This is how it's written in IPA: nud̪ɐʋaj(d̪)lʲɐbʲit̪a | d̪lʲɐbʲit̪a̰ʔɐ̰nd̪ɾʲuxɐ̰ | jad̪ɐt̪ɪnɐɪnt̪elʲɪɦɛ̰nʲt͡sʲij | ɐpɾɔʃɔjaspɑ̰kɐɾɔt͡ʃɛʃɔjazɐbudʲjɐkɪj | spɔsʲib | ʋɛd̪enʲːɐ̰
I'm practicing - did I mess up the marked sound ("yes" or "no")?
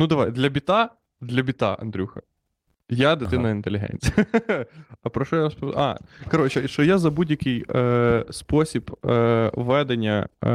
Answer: no